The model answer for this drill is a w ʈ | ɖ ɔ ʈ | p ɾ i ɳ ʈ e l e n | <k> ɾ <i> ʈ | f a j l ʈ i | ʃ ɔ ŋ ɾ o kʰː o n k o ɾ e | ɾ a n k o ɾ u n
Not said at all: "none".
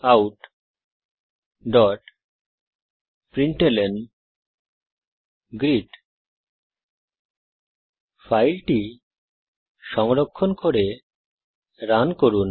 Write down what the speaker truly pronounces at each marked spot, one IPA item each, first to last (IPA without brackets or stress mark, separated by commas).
ɡ, i